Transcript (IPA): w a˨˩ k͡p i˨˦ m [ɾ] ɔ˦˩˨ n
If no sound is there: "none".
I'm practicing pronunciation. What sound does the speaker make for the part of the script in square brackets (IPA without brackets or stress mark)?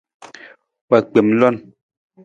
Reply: l